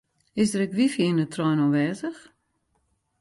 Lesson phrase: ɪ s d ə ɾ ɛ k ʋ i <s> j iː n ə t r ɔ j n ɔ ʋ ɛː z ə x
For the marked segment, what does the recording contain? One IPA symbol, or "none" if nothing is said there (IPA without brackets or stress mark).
f